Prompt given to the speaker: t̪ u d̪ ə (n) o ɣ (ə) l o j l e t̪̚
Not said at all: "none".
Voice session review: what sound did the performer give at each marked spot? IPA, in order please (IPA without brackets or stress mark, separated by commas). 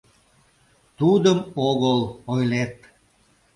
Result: m, ə